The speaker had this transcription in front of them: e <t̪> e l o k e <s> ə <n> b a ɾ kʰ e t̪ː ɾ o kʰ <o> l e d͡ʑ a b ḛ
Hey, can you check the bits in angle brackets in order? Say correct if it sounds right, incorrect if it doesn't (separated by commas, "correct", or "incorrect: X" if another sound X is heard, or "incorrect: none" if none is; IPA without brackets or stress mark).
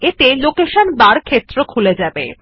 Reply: correct, incorrect: ʃ, correct, incorrect: u